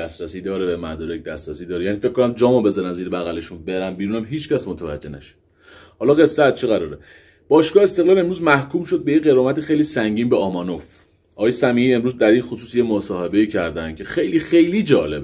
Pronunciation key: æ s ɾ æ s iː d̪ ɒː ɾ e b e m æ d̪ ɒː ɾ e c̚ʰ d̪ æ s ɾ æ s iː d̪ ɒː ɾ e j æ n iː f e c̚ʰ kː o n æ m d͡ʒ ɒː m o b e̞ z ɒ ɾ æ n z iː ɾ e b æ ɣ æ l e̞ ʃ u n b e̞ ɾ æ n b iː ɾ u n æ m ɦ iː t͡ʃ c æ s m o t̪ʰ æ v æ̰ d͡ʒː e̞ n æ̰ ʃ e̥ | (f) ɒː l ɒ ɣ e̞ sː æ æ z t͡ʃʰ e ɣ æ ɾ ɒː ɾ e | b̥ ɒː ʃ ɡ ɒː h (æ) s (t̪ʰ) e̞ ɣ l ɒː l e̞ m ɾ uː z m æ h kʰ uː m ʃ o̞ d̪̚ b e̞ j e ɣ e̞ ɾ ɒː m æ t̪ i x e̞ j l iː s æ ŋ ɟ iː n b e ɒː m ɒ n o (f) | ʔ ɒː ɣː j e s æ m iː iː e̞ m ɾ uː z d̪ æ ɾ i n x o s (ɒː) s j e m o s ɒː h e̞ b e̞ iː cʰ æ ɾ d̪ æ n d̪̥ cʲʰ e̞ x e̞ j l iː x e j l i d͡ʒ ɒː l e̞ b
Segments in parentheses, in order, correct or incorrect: incorrect, incorrect, incorrect, correct, incorrect

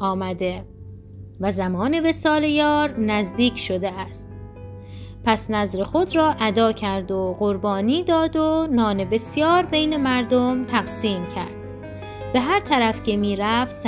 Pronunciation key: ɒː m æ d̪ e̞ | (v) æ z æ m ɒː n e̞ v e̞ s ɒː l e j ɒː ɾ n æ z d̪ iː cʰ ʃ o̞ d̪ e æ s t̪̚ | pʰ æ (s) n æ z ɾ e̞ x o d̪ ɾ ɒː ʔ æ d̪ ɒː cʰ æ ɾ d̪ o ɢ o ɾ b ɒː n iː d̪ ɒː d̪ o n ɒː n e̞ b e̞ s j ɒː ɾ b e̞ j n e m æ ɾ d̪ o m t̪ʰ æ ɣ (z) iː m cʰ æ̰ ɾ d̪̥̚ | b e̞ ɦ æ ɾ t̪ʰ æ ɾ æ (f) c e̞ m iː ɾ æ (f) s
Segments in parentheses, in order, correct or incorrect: correct, correct, incorrect, correct, correct

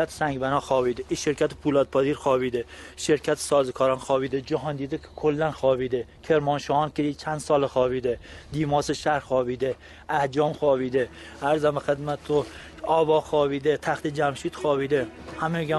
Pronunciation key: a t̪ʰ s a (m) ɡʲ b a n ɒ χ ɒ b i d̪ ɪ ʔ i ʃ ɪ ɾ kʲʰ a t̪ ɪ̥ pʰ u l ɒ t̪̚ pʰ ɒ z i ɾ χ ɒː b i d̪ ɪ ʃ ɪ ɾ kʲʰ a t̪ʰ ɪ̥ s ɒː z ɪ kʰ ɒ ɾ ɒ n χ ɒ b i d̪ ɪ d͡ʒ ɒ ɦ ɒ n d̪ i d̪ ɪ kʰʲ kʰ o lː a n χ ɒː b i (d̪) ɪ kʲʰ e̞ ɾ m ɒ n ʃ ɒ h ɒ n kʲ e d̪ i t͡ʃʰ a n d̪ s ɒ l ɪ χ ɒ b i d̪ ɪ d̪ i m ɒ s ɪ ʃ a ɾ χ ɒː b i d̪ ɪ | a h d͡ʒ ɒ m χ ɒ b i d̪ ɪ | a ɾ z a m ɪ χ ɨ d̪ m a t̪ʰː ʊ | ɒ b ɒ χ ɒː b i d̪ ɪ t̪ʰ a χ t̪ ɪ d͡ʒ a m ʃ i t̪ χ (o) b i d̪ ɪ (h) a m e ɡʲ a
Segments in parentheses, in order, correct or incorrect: incorrect, correct, incorrect, correct

